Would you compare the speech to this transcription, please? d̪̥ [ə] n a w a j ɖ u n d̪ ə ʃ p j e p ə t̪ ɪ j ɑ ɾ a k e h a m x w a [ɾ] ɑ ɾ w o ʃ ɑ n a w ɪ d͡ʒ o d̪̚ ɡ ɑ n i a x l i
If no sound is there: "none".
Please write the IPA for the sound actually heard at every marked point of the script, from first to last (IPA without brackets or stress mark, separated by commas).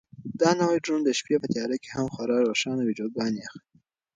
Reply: ɑ, ɾ